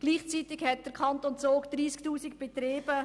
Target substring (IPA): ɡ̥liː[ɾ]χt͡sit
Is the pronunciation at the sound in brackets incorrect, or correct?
incorrect